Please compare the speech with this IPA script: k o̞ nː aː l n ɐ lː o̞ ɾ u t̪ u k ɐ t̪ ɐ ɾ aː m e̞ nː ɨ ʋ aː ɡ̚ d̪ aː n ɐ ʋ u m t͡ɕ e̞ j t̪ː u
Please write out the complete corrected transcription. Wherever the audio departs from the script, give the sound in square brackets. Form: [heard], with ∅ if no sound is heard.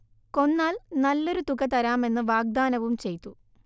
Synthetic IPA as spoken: k o̞ nː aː l n ɐ lː o̞ ɾ u t̪ u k ɐ t̪ ɐ ɾ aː m e̞ nː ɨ ʋ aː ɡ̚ d̪ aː n ɐ ʋ u m t͡ɕ e̞ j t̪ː u